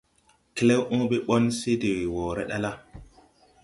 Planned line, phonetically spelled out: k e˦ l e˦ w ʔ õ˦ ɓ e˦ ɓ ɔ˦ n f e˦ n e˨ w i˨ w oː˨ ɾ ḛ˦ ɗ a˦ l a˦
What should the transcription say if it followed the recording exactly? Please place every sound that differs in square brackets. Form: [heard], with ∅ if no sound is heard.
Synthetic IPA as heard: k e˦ l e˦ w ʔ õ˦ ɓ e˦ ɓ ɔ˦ n [s] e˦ [d] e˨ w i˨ w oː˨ ɾ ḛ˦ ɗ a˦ l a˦